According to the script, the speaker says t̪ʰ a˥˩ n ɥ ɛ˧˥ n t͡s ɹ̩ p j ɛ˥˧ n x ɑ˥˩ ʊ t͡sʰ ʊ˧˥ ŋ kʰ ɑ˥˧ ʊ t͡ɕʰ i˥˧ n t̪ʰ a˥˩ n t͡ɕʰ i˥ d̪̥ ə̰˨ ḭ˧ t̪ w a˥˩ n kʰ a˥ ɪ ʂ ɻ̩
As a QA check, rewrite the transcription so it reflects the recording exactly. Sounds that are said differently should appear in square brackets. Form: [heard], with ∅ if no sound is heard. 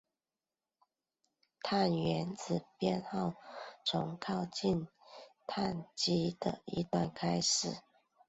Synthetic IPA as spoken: t̪ʰ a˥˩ n ɥ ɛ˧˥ n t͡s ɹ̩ p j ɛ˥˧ n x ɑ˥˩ ʊ t͡sʰ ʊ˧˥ ŋ kʰ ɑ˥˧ ʊ [t͡ɕ] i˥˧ n t̪ʰ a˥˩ n [t͡ɕ] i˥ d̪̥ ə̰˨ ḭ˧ t̪ w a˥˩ n kʰ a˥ ɪ ʂ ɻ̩